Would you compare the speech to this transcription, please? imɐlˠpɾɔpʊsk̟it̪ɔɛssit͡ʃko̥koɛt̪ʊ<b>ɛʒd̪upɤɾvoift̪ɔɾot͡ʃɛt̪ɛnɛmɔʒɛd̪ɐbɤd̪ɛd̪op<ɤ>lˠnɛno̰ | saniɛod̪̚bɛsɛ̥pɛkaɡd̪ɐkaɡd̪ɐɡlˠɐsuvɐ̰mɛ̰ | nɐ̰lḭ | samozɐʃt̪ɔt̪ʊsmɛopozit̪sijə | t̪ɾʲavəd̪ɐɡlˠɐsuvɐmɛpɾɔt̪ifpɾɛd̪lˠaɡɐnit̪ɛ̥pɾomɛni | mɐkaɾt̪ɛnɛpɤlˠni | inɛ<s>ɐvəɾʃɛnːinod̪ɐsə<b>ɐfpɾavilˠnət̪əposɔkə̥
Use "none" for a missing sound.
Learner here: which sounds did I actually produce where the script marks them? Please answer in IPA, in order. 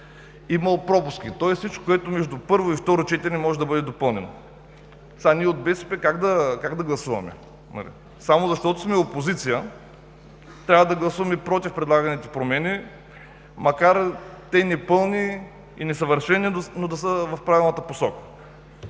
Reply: m, ɤ, s, v

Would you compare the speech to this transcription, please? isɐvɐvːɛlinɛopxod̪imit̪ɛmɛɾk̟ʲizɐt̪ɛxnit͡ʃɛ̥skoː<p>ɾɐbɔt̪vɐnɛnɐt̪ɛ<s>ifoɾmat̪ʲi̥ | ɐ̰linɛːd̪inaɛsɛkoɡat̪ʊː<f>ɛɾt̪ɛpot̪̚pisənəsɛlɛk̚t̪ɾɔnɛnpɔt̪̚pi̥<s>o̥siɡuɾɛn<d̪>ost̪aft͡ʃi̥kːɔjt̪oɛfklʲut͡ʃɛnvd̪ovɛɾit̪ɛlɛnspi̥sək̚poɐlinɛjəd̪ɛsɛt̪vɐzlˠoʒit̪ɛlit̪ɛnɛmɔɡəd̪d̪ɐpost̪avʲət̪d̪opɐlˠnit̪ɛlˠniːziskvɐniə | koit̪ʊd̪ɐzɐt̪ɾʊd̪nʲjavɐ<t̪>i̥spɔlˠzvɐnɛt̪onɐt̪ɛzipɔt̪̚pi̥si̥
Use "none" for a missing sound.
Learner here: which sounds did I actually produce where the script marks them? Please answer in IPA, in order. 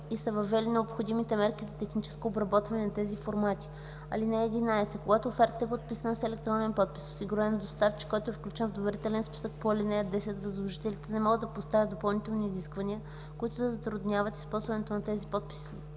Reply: b, z, f, s, d̪, t̪

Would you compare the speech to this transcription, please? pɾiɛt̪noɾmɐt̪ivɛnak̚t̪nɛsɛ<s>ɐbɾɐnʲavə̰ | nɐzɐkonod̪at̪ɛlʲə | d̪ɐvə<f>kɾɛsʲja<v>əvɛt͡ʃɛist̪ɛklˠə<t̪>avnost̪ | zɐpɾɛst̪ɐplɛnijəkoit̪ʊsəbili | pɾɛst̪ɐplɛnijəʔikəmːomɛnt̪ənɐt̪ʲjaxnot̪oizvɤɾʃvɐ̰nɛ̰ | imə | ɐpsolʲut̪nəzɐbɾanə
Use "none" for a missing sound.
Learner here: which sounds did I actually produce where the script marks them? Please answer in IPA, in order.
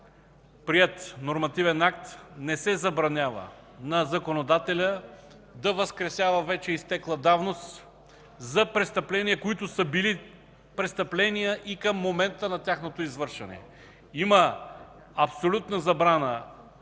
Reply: z, s, v, d̪

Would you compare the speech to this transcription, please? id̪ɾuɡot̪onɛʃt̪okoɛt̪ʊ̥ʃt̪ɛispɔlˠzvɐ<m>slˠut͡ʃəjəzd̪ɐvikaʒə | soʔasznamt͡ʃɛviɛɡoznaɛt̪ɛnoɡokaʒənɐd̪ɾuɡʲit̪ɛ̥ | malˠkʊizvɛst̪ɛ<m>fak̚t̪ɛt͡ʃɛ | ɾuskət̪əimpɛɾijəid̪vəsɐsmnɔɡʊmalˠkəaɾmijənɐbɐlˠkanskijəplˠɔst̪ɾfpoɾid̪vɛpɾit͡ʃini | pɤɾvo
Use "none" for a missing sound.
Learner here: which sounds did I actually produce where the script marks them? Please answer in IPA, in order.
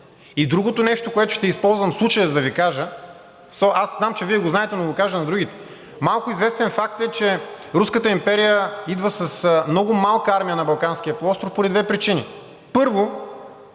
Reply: m, n

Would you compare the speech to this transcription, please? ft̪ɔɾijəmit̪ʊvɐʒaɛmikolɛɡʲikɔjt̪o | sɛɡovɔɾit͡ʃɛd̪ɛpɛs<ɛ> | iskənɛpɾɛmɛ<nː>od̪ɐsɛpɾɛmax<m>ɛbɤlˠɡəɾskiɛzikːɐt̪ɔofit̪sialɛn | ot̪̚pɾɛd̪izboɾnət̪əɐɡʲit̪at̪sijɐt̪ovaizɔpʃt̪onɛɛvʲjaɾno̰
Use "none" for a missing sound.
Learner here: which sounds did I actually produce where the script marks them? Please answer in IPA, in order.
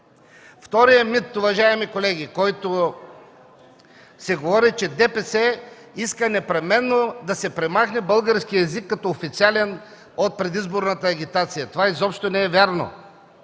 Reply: ɛ, nː, n

